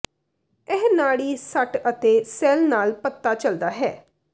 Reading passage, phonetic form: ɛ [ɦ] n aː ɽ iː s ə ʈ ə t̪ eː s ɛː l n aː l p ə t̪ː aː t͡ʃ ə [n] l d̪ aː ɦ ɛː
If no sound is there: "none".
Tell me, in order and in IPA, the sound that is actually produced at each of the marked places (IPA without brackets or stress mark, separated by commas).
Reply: ɦ, none